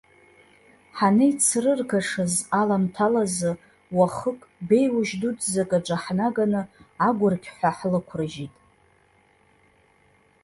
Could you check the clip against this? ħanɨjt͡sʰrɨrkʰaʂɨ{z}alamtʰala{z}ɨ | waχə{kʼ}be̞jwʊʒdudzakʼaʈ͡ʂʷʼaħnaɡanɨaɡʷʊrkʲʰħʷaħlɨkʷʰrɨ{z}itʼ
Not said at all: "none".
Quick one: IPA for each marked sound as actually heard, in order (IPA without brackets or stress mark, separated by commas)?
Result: z, z, kʼ, ʒ